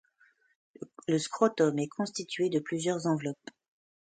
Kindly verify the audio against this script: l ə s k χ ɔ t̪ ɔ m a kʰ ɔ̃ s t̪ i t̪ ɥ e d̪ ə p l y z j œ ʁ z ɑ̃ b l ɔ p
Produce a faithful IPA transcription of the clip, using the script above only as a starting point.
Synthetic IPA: l ə s k χ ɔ t̪ ɔ m ɛ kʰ ɔ̃ s t̪ i t̪ ɥ e d̪ ə p l y z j œ ʁ z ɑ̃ v l ɔ p